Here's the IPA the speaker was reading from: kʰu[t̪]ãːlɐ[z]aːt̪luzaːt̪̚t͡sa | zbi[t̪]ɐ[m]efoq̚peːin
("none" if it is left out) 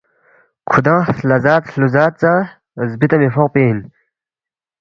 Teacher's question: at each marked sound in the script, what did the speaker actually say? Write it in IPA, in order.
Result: d̪, z, t̪, m

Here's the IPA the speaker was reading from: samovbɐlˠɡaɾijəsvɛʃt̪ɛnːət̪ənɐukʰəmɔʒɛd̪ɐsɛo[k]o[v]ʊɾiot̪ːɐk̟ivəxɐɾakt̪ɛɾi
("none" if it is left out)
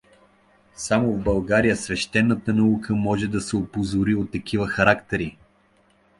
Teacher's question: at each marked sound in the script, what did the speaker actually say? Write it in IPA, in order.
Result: p, z

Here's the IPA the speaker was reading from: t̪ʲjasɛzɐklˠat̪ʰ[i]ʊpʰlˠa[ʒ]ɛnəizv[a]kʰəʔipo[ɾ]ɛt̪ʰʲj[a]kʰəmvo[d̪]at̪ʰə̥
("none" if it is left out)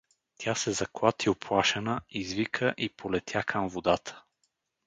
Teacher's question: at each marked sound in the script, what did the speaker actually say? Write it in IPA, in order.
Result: i, ʃ, i, l, a, d̪

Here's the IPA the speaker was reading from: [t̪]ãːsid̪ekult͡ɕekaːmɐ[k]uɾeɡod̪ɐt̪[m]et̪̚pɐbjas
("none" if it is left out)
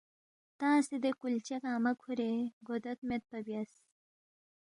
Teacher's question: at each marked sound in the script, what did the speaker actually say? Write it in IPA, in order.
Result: t̪, kʰ, m

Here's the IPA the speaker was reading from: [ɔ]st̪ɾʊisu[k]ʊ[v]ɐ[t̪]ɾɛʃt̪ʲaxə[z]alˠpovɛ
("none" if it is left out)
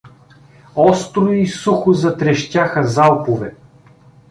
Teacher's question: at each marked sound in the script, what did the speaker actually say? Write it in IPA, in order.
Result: ɔ, x, z, t̪, z

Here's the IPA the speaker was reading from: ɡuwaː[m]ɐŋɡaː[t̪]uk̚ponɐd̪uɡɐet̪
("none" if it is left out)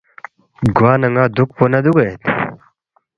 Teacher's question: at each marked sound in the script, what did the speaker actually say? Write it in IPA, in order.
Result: n, d̪

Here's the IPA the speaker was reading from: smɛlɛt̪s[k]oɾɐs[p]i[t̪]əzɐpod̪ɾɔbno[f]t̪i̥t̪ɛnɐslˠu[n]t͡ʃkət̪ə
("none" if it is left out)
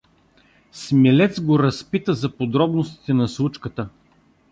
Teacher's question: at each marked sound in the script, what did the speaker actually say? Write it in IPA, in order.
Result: ɡ, p, t̪, s, none

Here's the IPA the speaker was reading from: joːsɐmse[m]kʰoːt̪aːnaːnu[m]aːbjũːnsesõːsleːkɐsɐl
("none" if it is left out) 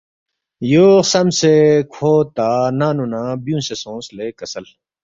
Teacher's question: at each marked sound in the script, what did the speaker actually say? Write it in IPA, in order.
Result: none, n

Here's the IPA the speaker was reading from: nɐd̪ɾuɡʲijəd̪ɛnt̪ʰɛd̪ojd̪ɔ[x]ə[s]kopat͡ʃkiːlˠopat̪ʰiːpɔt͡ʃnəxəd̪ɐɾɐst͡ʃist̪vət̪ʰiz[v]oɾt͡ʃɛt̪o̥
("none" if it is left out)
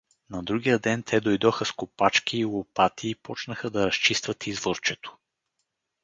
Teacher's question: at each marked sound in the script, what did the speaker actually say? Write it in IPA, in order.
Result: x, s, v

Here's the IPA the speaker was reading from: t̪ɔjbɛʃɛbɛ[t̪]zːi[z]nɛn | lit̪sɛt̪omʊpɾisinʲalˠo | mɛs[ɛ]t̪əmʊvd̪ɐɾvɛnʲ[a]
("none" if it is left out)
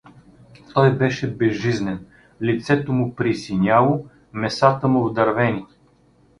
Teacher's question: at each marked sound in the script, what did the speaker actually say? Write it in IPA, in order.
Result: none, z, a, i

